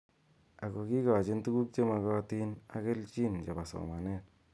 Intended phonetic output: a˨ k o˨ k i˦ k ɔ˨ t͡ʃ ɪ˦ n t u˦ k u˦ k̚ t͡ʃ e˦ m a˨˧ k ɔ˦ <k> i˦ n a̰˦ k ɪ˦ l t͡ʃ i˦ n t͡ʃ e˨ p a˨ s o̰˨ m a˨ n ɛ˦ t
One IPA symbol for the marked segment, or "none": t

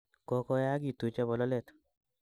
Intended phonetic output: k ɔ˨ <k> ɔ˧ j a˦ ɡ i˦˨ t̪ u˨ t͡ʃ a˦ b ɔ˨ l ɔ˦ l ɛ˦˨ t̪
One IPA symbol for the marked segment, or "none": k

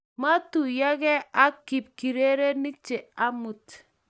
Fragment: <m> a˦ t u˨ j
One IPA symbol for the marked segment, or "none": m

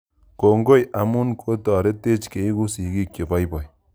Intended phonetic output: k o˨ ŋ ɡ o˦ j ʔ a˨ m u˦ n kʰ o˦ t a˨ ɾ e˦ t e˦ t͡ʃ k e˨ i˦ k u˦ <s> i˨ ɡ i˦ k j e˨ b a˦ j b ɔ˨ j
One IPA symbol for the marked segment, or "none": s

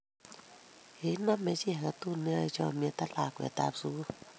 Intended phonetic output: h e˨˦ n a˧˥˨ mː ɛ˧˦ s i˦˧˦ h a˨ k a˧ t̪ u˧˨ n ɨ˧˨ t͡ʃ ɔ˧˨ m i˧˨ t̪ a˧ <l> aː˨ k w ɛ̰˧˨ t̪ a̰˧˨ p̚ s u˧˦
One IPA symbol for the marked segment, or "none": l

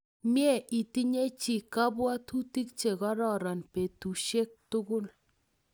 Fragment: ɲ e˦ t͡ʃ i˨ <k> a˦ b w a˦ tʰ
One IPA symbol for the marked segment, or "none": k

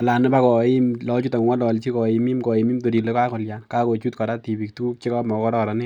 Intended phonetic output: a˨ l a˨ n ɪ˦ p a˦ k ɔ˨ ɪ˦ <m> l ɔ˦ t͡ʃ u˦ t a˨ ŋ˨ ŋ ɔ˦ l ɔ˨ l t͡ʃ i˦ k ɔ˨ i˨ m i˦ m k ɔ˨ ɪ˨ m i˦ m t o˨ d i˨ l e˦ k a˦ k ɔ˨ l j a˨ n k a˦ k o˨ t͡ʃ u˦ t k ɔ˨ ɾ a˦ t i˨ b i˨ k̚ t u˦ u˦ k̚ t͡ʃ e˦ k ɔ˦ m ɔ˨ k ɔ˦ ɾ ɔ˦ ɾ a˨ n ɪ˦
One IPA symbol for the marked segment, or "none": m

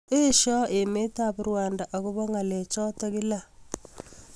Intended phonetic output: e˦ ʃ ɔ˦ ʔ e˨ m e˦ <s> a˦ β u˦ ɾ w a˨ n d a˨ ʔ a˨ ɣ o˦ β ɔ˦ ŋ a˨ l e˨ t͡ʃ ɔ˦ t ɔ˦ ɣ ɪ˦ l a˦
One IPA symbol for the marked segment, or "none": t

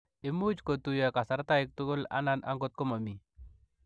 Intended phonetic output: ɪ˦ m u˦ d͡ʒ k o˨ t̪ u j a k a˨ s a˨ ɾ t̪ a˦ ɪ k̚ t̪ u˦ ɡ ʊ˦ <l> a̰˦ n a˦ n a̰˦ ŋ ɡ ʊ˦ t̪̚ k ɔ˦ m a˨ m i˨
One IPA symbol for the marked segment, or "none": l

